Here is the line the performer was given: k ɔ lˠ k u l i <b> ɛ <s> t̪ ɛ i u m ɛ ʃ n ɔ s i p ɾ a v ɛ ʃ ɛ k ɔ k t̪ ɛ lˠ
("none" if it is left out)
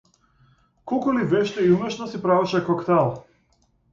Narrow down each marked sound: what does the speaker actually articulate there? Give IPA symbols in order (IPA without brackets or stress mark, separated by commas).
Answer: v, ʃ